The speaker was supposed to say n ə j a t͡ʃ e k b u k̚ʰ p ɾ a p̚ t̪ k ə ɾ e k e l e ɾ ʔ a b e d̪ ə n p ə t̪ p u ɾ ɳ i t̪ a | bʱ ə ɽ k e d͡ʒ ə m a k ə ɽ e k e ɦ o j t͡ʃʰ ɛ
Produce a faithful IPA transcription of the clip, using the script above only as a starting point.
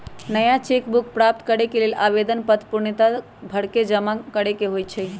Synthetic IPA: n ə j a t͡ʃ e k b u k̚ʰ p ɾ a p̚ t̪ k ə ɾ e k e l e l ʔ a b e d̪ ə n p ə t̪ p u ɾ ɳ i t̪ a | bʱ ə ɽ k e d͡ʒ ə m a k ə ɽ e k e ɦ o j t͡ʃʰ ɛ